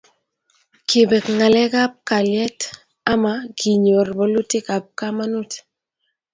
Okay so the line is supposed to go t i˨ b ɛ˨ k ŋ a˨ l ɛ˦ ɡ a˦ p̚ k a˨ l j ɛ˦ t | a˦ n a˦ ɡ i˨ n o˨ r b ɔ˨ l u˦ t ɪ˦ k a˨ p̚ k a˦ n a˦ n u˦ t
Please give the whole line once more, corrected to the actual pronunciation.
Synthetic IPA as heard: k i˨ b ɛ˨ k ŋ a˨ l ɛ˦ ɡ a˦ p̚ k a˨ l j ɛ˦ t | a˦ m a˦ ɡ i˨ ɲ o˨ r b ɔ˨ l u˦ t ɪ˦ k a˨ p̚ k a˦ m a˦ n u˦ t